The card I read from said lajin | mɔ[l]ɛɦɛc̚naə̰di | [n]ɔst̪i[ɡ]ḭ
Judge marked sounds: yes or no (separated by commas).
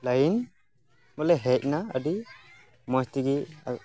yes, no, yes